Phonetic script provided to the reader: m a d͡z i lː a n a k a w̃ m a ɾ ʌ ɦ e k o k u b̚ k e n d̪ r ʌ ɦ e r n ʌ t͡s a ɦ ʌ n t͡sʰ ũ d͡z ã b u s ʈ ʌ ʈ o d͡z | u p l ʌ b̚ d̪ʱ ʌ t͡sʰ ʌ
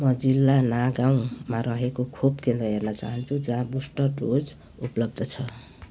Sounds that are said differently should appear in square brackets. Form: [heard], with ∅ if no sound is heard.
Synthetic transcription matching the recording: m [ʌ] d͡z i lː a n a [ɡ] a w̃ m a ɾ ʌ ɦ e k o [kʰ] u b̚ k e n d̪ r ʌ ɦ e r n ʌ t͡s a ɦ ʌ n t͡sʰ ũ d͡z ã b u s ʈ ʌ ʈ o d͡z | u p l ʌ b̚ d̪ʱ ʌ t͡sʰ ʌ